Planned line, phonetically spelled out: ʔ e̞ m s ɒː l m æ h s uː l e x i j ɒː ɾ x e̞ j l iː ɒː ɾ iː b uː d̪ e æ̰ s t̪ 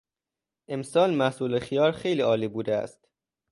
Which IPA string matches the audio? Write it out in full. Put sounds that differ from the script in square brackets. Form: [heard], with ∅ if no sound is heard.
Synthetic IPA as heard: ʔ e̞ m s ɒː l m æ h s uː l e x i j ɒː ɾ x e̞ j l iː ɒː [l] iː b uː d̪ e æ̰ s t̪